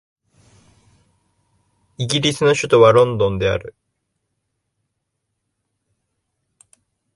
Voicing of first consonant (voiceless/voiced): voiced